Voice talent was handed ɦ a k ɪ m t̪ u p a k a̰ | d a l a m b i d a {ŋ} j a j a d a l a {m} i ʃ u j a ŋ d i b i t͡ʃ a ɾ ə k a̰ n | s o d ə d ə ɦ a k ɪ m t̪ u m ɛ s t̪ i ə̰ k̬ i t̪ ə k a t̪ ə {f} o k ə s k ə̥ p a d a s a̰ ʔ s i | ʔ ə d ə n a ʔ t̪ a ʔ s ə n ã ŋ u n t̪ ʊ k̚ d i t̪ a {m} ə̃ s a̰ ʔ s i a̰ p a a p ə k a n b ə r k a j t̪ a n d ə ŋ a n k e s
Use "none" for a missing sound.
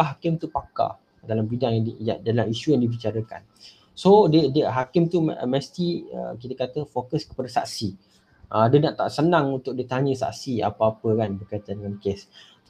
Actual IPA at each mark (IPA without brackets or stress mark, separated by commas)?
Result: ŋ, m, f, ɲ